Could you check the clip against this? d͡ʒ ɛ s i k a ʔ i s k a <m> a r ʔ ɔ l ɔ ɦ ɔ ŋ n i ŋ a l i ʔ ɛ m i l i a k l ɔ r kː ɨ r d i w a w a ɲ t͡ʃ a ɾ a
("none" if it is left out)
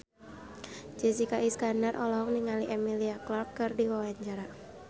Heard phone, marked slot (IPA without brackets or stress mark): n